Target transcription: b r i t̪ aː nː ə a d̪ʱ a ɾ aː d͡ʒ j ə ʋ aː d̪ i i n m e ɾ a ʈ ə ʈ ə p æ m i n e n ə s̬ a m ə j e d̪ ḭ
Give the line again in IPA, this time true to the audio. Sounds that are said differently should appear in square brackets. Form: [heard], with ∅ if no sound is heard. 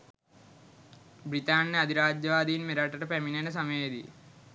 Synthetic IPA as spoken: b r i t̪ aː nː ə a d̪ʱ [i] ɾ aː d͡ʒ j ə ʋ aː d̪ i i n m e ɾ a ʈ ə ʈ ə p æ m i n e n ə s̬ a m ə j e d̪ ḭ